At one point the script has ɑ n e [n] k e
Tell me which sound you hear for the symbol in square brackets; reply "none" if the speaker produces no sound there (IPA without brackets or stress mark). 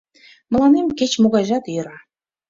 m